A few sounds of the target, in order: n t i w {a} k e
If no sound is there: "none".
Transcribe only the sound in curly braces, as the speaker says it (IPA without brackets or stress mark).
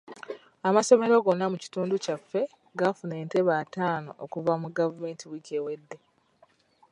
i